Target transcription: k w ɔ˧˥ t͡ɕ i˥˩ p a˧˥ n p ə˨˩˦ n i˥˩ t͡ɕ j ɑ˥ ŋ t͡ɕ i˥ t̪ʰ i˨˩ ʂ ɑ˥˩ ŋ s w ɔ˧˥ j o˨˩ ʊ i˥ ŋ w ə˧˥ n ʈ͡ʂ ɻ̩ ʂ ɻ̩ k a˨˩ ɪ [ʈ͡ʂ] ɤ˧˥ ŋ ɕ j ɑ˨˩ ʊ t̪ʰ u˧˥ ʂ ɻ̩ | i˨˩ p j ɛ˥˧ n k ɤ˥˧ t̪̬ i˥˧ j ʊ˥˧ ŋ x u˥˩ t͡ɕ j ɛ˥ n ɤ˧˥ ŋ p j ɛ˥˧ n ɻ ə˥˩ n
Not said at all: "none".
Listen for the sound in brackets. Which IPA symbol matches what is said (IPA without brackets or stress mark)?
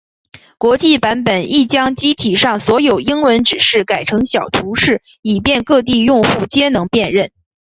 ʈ͡ʂʰ